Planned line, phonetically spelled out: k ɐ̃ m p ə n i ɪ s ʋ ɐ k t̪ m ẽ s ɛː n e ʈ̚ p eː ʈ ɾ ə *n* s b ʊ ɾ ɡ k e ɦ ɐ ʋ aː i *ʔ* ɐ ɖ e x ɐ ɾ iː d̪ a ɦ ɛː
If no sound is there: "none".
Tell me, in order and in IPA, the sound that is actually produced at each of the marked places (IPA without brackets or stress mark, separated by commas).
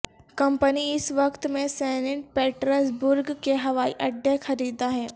none, ʔ